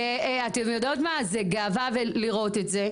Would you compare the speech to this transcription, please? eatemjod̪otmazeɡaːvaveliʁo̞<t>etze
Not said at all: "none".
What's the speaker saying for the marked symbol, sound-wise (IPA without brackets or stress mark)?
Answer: t